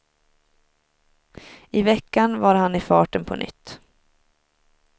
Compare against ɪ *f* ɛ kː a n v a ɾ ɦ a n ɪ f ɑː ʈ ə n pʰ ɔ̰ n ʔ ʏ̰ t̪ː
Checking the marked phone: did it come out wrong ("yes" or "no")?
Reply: yes